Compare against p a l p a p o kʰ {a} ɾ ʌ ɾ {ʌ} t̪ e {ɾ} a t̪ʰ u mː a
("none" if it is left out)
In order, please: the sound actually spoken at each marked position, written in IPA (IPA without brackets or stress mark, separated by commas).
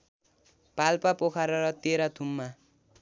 a, ʌ, ɾ